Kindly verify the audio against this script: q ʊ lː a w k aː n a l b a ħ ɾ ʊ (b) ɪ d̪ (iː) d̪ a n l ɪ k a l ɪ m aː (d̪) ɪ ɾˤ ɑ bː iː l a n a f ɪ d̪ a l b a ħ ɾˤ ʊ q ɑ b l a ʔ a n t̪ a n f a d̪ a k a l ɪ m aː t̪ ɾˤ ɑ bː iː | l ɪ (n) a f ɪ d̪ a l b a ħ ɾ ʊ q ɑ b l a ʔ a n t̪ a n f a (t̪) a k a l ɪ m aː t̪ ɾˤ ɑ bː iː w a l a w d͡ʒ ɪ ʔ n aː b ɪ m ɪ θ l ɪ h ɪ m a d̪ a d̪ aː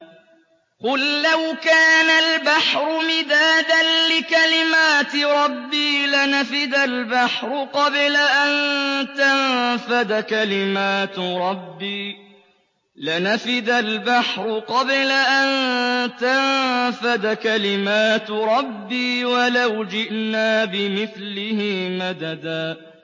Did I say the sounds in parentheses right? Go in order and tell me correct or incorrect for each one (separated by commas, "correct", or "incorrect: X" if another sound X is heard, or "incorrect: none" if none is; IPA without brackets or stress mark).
incorrect: m, incorrect: aː, incorrect: t̪, correct, incorrect: d̪